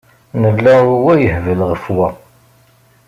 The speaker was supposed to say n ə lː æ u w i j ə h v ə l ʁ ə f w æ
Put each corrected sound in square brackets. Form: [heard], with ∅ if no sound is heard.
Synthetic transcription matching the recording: n ə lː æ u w [æ] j ə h v ə l ʁ ə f w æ